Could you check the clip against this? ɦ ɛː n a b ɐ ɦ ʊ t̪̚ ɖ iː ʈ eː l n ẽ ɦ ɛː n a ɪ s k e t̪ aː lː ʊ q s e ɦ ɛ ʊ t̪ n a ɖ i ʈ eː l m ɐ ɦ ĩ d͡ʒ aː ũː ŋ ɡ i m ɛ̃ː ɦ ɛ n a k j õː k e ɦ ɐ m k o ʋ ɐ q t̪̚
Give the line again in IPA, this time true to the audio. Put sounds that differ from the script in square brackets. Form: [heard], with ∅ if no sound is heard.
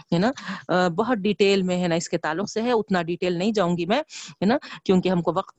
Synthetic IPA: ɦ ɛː n a b ɐ ɦ ʊ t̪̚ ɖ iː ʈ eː l [m] ẽ ɦ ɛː n a ɪ s k e t̪ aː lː ʊ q s e ɦ ɛ ʊ t̪ n a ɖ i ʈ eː l [n] ɐ ɦ ĩ d͡ʒ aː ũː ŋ ɡ i m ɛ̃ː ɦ ɛ n a k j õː k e ɦ ɐ m k o ʋ ɐ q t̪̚